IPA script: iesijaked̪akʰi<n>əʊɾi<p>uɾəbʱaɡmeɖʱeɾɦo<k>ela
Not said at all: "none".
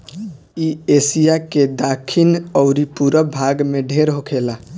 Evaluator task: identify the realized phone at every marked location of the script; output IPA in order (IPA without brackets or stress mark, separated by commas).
n, p, kʰ